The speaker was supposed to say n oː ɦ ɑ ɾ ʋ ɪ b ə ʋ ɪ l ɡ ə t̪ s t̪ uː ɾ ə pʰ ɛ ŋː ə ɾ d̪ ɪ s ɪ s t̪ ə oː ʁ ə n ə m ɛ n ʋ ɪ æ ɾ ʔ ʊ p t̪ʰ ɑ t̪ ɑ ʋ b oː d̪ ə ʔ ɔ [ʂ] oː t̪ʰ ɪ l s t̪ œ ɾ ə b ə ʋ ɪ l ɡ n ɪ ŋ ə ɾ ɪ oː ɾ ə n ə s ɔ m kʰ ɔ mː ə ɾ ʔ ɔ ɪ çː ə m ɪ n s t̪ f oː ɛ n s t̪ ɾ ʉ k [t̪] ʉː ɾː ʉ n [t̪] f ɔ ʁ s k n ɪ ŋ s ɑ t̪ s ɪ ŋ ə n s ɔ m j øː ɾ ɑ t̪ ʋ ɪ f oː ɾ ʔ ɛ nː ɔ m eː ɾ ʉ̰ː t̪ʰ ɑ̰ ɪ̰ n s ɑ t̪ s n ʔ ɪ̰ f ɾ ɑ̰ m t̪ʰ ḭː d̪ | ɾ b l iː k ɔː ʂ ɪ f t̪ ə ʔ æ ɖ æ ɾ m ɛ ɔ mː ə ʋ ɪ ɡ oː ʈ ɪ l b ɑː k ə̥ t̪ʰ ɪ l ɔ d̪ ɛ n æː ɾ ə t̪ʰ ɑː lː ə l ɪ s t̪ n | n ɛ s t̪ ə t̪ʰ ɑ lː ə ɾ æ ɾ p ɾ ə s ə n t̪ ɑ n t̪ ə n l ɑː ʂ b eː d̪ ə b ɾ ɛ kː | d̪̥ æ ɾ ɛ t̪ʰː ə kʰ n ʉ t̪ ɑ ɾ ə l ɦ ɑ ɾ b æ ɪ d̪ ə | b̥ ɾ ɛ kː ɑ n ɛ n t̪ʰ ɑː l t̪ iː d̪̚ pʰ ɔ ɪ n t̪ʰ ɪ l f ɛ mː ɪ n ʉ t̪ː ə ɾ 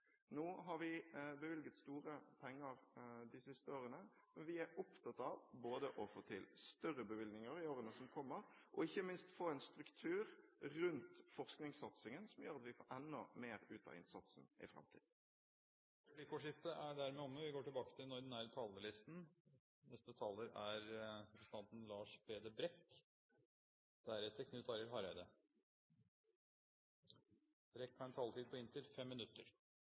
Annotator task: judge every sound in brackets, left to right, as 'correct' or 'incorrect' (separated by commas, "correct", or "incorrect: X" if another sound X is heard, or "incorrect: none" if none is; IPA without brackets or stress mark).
incorrect: f, incorrect: t̪ʰ, correct